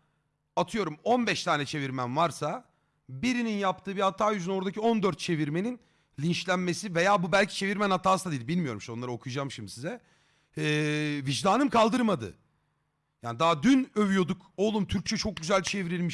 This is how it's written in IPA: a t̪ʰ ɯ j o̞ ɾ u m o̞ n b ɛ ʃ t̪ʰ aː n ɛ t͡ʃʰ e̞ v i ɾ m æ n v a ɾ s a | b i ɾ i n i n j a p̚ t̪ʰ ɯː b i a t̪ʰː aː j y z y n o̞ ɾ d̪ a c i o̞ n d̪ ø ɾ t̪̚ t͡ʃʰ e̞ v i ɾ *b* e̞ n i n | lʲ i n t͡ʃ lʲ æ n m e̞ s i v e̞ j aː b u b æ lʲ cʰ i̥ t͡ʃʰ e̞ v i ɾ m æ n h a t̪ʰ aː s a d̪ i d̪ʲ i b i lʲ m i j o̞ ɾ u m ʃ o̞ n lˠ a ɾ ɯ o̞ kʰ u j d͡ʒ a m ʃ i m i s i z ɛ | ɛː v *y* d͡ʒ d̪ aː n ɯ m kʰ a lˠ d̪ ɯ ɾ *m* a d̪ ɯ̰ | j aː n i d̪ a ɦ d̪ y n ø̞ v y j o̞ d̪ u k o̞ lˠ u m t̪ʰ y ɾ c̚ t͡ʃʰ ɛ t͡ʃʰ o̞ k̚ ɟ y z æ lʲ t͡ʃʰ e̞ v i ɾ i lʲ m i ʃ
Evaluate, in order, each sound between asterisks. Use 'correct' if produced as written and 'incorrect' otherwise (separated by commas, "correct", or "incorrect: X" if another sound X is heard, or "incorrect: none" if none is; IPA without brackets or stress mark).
incorrect: m, incorrect: i, correct